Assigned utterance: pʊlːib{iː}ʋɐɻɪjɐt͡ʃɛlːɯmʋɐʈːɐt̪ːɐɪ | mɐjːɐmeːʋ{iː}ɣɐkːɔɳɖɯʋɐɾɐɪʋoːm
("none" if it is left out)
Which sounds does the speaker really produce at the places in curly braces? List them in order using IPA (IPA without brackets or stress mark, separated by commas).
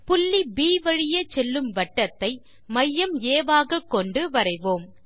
iː, aː